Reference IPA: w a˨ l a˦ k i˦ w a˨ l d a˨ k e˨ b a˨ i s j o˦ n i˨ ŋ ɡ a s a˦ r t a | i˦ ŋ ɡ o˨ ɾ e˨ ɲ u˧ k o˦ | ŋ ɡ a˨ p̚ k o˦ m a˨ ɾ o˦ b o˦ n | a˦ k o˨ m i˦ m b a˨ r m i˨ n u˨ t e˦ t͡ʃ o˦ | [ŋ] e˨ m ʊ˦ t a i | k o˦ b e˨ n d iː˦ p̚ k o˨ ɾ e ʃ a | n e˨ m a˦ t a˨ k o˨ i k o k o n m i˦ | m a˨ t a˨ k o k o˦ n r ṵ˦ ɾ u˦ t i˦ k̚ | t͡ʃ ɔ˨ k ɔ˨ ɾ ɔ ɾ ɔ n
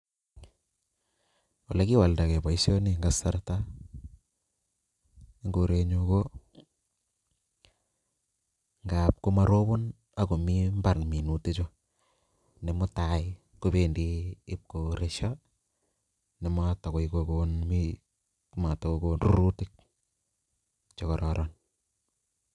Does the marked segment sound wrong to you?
yes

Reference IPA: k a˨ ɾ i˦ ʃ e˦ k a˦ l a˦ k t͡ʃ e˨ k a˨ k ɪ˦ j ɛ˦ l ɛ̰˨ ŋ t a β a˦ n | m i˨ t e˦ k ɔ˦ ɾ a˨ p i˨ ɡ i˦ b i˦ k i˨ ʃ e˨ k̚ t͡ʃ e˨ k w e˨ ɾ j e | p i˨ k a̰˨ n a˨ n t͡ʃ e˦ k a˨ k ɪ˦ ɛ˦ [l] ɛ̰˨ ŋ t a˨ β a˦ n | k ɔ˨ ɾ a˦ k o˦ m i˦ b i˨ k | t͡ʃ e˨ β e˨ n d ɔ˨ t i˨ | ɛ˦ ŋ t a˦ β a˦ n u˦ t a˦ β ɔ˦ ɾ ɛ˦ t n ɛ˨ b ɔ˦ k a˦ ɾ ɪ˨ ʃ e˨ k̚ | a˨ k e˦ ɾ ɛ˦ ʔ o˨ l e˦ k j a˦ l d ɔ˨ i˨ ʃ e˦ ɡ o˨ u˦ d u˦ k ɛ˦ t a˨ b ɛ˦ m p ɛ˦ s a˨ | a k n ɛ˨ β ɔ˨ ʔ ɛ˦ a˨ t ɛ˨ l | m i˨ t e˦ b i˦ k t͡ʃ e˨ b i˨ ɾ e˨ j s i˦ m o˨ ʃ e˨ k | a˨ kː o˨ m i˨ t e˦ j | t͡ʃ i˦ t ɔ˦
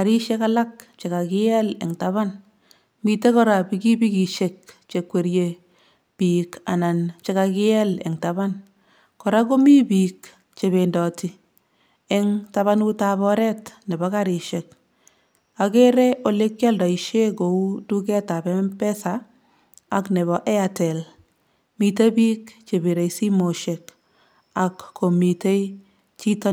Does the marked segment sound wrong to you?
no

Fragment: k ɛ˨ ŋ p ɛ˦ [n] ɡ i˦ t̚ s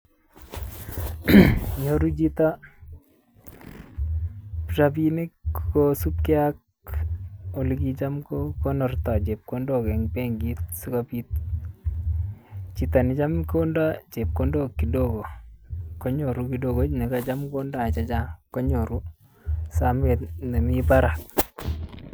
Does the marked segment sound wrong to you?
yes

